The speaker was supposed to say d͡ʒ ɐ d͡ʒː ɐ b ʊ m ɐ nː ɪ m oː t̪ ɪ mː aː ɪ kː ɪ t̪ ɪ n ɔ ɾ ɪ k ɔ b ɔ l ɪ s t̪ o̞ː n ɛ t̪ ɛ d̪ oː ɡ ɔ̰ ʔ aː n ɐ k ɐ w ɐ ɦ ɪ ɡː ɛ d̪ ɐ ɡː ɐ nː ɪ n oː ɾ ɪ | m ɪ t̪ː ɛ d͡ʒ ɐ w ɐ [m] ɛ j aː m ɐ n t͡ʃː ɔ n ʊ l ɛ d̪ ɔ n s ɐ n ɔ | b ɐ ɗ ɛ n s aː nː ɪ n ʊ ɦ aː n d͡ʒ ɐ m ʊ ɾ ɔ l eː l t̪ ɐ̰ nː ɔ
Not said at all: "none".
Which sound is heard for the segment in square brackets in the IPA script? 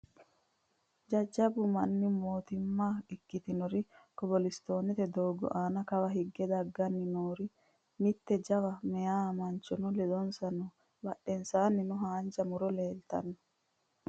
m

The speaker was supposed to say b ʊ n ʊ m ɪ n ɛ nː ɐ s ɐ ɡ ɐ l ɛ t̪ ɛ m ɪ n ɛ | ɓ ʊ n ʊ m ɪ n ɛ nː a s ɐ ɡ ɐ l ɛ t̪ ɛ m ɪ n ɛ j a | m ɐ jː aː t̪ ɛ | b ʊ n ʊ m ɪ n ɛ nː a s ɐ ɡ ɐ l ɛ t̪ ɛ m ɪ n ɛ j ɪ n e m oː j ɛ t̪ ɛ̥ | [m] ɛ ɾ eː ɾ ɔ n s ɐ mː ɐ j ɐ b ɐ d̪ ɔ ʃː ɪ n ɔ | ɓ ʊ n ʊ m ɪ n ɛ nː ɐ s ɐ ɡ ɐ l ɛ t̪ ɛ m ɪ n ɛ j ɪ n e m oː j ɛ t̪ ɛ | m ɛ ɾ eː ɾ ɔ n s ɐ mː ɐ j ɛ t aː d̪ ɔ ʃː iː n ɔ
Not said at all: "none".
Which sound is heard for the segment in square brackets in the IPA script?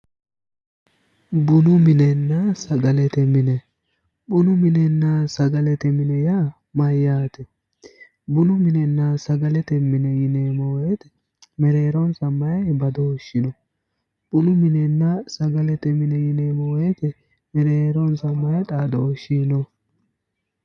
m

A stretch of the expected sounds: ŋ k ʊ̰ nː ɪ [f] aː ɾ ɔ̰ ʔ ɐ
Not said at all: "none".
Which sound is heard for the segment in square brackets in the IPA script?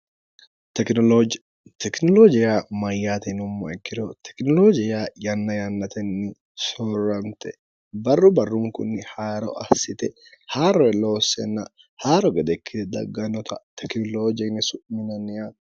h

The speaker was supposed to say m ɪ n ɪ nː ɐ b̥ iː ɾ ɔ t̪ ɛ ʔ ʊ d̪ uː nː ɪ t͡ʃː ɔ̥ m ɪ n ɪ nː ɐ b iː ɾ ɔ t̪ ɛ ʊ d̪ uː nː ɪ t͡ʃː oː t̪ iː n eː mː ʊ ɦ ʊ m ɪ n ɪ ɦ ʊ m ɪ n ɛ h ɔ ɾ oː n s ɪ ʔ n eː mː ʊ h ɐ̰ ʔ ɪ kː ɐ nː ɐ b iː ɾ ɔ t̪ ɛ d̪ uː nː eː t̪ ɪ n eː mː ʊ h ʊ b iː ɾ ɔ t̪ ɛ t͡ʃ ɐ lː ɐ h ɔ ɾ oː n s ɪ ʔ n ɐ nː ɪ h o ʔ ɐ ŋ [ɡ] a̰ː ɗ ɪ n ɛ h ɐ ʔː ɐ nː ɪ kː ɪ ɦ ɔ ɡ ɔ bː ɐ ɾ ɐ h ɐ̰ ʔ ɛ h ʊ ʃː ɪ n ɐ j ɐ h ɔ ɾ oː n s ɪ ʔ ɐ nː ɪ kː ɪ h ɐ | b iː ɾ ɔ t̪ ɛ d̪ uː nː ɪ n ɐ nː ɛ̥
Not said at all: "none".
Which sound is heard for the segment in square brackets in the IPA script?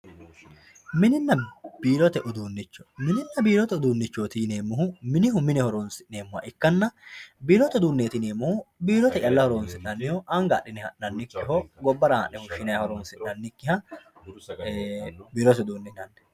ɡ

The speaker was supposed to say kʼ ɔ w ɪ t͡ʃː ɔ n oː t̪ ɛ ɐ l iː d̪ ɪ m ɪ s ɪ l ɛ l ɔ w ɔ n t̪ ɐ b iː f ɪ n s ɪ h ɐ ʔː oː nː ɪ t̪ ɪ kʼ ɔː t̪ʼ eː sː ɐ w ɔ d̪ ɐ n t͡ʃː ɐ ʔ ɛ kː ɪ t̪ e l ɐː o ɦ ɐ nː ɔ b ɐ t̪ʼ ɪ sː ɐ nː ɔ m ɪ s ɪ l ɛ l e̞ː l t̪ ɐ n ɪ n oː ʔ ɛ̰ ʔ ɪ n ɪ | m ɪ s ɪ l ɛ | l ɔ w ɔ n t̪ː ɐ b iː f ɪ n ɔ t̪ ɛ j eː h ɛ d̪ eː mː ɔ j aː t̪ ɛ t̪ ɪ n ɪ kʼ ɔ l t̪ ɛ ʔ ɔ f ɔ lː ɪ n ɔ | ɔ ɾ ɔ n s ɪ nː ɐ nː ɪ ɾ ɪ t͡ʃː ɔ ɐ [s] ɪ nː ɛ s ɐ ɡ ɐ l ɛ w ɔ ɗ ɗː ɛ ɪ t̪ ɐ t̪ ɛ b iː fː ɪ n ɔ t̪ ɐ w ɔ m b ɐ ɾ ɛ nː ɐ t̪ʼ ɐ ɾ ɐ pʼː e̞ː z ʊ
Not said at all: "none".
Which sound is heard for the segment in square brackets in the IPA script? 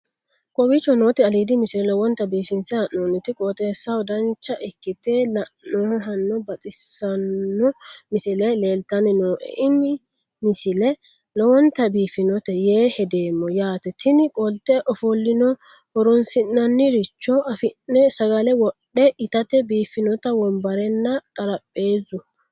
f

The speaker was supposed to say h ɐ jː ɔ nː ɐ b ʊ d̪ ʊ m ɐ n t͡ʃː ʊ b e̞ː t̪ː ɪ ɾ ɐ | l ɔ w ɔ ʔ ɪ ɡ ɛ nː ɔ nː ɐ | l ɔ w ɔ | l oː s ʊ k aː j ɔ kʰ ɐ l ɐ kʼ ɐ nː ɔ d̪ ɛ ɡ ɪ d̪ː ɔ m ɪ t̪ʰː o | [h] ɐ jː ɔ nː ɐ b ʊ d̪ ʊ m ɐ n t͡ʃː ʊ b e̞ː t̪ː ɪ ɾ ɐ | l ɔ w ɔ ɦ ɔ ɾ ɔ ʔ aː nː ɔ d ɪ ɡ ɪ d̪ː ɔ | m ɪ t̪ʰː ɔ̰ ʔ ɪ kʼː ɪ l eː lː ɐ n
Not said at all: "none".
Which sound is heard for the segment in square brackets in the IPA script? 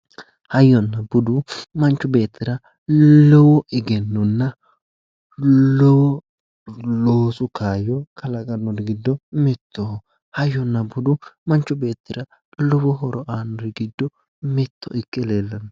h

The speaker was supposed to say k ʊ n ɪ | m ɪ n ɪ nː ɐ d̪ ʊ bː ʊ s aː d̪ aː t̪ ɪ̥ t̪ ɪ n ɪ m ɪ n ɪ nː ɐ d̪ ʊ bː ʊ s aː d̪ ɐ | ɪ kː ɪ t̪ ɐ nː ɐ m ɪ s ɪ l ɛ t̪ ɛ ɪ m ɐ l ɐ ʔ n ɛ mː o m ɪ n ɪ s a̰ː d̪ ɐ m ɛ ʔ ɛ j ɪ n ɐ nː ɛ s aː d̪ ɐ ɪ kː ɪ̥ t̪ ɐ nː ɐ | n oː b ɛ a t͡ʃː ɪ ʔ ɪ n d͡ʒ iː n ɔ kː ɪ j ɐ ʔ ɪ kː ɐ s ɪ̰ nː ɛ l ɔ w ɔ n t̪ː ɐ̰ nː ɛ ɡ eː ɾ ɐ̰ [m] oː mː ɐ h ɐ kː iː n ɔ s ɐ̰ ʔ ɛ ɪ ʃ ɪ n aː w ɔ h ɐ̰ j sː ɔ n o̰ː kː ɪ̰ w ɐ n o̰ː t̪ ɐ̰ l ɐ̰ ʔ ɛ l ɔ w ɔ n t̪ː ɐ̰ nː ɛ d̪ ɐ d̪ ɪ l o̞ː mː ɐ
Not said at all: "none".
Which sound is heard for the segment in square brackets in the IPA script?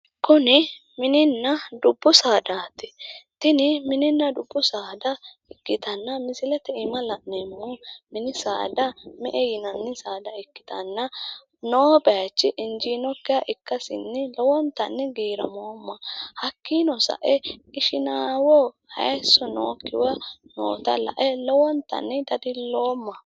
m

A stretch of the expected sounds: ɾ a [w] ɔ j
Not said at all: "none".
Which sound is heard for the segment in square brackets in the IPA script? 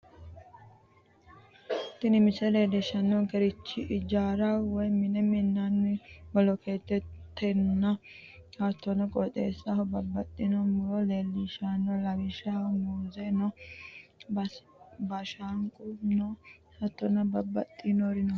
w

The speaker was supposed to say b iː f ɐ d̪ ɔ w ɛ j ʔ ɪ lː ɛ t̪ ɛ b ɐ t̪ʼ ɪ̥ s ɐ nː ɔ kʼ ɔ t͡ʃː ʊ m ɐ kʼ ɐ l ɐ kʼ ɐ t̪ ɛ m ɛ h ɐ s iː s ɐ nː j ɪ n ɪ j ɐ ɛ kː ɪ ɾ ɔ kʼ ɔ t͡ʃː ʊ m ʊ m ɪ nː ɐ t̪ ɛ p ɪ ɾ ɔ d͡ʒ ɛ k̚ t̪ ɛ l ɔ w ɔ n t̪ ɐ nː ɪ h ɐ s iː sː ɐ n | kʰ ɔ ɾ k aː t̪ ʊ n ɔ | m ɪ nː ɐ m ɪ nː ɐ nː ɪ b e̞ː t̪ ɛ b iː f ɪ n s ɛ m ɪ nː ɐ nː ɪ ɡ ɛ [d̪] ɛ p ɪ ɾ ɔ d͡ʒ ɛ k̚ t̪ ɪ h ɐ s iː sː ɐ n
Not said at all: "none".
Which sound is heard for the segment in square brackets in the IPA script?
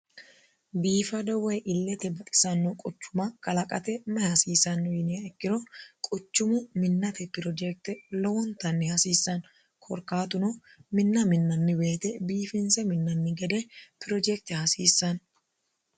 d̪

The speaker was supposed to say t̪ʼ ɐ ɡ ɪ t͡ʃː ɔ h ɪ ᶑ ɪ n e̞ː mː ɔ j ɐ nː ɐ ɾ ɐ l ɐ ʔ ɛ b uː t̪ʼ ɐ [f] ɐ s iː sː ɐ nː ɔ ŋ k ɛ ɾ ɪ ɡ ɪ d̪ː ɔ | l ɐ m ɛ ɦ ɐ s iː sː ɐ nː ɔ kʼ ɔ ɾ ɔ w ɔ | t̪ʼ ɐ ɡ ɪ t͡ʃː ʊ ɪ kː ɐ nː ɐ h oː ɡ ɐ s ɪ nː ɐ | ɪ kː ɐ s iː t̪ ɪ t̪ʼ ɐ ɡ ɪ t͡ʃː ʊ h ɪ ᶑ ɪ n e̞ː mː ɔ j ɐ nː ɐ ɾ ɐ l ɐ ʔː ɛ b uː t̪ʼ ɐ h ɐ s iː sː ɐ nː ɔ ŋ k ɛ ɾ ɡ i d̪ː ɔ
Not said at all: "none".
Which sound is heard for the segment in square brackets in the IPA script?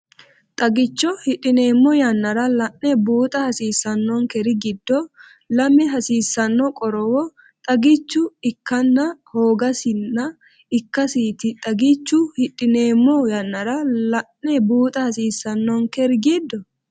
h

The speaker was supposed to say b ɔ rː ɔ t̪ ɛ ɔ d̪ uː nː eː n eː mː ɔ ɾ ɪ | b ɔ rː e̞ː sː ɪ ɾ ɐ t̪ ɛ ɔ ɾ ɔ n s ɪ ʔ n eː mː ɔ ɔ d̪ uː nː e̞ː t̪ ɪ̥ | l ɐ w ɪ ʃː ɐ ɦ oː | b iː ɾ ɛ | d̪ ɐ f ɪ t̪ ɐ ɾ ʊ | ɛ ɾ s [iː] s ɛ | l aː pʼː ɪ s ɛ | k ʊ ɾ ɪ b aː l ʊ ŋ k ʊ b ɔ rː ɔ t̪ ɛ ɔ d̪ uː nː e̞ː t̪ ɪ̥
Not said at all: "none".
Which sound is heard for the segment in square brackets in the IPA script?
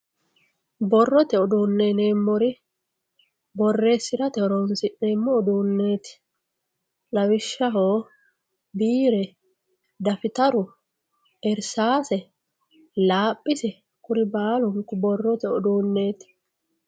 aː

